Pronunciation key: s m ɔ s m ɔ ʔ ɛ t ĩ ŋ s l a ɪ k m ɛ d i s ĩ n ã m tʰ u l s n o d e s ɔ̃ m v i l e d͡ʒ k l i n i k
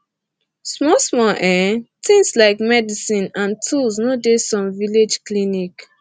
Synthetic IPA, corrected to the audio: s m ɔ s m ɔ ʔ ɛ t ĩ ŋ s l a ɪ k m ɛ d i s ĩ n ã n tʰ u l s n o d e s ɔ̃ m v i l e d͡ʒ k l i n i k